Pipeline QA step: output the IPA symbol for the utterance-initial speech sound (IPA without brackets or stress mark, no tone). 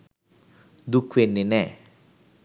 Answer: d̪